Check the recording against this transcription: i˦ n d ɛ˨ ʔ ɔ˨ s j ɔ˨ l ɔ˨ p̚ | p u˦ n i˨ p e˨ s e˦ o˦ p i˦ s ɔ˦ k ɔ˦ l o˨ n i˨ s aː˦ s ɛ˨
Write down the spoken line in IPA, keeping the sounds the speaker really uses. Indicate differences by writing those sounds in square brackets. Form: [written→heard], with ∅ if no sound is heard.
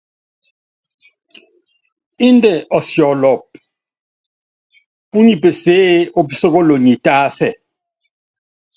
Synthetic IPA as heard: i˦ n d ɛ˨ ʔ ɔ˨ s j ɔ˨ l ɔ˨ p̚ | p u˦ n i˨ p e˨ s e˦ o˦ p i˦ s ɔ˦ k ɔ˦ l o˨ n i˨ [s→t] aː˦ s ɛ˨